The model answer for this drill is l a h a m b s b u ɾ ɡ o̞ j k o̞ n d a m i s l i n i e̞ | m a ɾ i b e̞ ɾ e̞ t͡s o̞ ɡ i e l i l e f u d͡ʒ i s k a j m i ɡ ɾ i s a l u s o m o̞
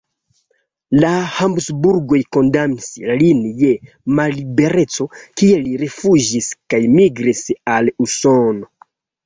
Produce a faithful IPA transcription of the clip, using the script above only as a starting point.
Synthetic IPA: l a h a m b s b u ɾ ɡ o̞ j k o̞ n d a m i s l i n j e̞ | m a l i b e̞ ɾ e̞ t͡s o̞ k i e l i ɾ e f u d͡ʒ i s k a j m i ɡ ɾ i s a l u s o n o̞